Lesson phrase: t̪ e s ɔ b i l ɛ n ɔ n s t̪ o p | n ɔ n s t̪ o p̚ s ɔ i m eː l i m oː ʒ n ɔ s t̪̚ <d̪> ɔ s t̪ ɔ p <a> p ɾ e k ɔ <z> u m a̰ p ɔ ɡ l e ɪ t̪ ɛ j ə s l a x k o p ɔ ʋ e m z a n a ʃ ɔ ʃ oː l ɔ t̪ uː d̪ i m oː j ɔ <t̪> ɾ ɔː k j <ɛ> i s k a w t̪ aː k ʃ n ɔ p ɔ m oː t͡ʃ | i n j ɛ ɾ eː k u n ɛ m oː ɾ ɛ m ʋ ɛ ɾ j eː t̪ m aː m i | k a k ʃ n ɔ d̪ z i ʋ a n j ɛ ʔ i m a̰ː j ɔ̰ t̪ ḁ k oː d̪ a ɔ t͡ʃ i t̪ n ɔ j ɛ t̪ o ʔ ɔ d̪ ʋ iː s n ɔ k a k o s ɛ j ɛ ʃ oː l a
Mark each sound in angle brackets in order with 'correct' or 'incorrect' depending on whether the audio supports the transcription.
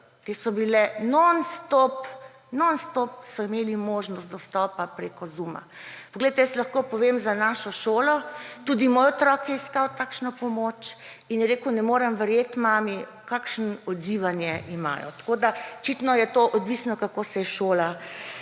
correct, correct, correct, correct, correct

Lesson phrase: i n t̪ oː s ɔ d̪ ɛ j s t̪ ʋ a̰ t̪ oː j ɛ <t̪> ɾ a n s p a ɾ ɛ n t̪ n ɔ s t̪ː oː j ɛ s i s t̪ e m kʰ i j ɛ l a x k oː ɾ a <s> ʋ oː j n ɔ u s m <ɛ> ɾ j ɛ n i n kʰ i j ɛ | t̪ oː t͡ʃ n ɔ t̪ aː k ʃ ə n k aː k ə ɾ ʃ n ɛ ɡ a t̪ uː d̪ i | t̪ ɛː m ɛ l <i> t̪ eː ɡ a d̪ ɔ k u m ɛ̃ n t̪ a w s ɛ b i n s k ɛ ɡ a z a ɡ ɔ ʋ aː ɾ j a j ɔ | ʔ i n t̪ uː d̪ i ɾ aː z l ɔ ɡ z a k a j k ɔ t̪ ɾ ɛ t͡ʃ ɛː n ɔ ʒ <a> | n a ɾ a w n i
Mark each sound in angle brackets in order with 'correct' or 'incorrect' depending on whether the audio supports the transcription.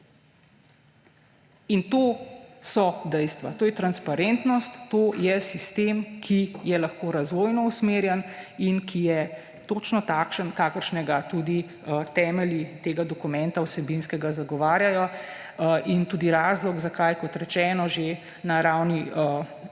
correct, incorrect: z, incorrect: e, correct, incorrect: e

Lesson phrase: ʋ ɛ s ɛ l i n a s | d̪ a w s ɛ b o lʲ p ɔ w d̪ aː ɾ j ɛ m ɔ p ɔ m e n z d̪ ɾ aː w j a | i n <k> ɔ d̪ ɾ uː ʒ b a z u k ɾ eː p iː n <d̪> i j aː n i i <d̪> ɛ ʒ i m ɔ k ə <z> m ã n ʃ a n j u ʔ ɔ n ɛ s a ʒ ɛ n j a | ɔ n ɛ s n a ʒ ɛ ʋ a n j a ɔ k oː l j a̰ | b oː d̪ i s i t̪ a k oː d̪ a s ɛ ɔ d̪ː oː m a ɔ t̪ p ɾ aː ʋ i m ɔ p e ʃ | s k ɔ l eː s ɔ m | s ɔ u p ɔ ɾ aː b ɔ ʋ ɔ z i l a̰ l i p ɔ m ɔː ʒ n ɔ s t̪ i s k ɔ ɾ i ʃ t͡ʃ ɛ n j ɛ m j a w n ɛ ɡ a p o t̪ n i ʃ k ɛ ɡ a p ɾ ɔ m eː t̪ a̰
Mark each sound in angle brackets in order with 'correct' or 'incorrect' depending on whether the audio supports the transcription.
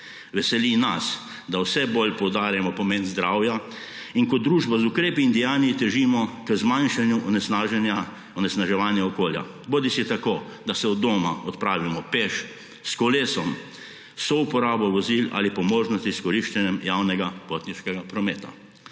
correct, correct, incorrect: t̪, correct

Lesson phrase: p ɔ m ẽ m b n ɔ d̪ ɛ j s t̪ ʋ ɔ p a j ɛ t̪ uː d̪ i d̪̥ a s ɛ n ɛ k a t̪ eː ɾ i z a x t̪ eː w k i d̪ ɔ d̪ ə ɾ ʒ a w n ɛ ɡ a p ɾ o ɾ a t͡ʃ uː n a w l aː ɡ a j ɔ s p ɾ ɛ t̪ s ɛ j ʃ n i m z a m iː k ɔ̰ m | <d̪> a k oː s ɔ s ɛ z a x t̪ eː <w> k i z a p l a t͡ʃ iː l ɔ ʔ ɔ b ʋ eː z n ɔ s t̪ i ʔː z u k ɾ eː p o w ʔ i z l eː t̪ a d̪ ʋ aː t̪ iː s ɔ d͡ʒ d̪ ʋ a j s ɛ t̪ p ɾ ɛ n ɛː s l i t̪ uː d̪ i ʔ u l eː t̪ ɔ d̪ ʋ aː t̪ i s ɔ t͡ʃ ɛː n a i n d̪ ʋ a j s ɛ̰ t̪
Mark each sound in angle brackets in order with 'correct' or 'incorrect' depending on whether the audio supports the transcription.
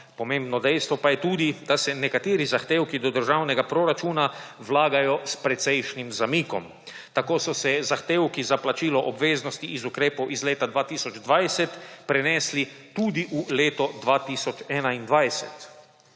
incorrect: t̪, correct

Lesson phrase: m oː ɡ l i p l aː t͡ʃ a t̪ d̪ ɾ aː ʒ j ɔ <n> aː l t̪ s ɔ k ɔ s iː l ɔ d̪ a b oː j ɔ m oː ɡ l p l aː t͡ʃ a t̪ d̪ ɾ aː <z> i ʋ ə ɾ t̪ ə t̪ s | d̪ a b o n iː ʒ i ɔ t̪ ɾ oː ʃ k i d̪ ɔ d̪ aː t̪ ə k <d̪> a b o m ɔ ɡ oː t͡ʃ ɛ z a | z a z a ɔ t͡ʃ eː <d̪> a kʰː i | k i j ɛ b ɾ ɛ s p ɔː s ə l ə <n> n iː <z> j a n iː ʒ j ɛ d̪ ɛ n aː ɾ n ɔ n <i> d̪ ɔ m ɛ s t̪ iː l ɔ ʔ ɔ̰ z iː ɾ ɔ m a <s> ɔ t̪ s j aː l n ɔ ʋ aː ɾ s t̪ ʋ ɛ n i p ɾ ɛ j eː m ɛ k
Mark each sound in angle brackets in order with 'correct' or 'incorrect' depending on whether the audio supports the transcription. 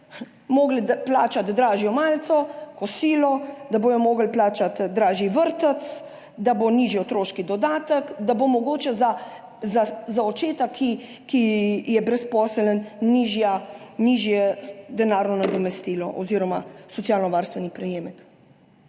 incorrect: m, incorrect: ʒ, correct, incorrect: t̪, correct, incorrect: ʒ, incorrect: a, correct

